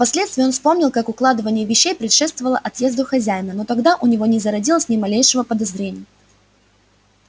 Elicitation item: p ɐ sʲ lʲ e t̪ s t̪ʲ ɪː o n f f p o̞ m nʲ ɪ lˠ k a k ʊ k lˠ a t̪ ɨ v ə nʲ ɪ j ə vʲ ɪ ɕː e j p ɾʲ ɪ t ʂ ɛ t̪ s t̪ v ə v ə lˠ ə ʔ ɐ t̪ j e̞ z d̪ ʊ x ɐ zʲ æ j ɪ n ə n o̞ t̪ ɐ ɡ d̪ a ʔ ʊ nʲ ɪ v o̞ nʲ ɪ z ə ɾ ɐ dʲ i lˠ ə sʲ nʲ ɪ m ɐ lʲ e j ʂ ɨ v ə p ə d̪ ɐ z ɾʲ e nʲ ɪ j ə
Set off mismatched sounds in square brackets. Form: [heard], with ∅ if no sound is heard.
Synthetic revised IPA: p ɐ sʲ lʲ e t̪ s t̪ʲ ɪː o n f [s] p o̞ m nʲ ɪ lˠ k a k ʊ k lˠ a [d̪] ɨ v ə nʲ ɪ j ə vʲ ɪ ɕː e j p ɾʲ ɪ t ʂ ɛ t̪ s t̪ v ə v ə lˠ ə ʔ ɐ t̪ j e̞ z d̪ ʊ x ɐ zʲ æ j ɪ n ə n o̞ t̪ ɐ ɡ d̪ a ʔ ʊ nʲ ɪ v o̞ nʲ ɪ z ə ɾ ɐ dʲ i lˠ ə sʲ nʲ ɪ m ɐ lʲ e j ʂ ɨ v ə p ə d̪ ɐ z ɾʲ e nʲ ɪ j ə